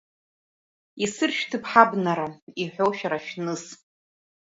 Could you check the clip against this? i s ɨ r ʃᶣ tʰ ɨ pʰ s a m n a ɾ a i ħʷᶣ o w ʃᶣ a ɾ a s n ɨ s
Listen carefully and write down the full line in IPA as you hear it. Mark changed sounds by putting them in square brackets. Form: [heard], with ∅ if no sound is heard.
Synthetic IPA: i s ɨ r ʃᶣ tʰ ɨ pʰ [ħ] a [b] n a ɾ a i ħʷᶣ o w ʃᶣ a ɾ a [ʃ] n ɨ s